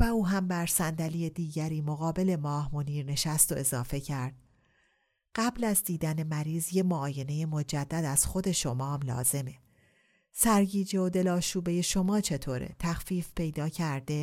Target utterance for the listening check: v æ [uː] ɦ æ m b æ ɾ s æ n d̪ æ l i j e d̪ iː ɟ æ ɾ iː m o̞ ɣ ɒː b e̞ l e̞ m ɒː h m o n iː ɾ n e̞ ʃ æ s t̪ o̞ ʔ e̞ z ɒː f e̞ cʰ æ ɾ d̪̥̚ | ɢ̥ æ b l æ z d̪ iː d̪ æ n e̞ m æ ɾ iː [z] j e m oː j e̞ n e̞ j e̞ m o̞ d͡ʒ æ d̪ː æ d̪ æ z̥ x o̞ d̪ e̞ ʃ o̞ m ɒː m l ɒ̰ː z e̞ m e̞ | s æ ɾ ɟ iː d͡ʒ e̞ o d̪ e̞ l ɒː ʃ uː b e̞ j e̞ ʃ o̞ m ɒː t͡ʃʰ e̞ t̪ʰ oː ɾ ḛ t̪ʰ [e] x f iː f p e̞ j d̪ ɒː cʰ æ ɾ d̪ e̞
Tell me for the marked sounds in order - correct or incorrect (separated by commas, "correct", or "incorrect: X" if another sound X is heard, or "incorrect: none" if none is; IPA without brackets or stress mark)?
correct, correct, incorrect: æ